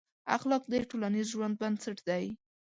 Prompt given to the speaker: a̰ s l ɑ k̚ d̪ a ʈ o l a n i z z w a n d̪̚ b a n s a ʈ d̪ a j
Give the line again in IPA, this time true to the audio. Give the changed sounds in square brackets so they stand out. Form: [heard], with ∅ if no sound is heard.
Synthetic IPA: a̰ [x] l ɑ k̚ d̪ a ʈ o l a n i z [ʒ] w a n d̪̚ b a n s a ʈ d̪ a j